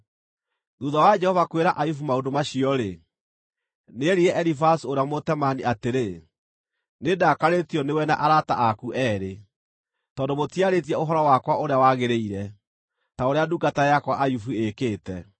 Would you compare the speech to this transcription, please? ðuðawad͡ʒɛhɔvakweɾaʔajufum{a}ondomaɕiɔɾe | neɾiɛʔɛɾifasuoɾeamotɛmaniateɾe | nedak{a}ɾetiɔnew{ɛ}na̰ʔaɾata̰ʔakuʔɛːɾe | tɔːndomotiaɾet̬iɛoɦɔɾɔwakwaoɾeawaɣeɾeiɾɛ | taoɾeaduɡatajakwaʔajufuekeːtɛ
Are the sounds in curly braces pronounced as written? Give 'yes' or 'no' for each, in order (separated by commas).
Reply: yes, yes, yes